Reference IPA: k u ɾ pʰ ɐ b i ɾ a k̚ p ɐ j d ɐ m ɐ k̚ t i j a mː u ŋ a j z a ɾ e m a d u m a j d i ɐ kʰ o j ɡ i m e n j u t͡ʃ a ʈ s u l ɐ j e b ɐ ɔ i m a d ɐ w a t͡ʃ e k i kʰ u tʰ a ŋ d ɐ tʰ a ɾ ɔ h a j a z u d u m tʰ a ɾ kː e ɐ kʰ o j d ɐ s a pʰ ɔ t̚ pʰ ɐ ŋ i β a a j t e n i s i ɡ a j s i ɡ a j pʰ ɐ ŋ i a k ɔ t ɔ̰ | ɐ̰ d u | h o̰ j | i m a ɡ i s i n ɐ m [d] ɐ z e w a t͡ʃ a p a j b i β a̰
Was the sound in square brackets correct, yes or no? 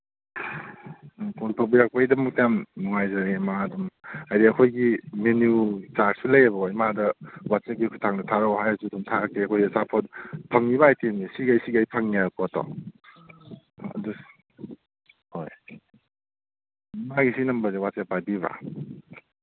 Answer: no